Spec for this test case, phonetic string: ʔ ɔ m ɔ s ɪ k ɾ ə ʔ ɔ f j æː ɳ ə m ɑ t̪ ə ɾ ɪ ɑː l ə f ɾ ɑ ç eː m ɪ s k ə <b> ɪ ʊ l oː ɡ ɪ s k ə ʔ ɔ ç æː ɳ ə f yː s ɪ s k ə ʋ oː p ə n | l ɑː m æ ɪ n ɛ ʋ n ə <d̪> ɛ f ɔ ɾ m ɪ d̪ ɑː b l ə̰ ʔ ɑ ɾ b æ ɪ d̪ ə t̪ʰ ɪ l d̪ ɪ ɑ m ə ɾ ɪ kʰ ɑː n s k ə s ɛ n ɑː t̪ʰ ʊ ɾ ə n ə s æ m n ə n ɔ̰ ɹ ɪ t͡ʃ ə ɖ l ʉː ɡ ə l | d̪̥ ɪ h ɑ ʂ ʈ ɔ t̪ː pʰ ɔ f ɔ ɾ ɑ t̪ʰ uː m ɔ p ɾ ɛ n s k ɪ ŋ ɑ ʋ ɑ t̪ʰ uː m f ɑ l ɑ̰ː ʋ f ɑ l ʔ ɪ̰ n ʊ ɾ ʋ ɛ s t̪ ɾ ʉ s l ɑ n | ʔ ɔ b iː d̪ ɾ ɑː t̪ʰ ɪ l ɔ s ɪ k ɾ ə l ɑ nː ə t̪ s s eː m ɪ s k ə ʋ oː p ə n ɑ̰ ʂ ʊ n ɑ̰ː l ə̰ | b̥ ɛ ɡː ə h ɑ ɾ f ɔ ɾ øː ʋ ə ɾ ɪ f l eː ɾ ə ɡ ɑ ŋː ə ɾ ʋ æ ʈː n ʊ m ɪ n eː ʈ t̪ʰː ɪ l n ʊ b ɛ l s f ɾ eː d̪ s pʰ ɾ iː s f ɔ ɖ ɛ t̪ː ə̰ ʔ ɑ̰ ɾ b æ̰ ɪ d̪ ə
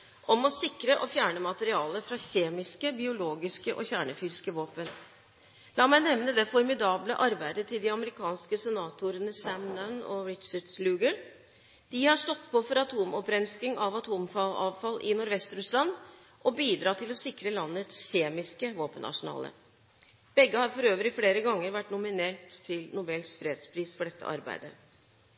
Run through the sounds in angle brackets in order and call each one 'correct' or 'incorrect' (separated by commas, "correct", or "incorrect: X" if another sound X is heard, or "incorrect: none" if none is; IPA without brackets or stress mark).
correct, correct